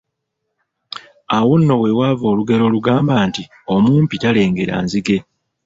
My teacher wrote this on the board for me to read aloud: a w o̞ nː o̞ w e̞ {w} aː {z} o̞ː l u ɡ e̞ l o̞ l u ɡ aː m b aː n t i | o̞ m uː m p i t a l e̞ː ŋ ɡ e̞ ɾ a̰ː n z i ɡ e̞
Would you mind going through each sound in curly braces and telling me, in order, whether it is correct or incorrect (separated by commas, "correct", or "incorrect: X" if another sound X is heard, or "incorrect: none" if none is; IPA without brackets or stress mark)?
correct, incorrect: v